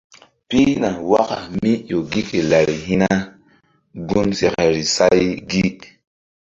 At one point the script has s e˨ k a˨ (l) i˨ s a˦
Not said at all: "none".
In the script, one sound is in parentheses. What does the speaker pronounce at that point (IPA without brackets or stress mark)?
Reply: ɾ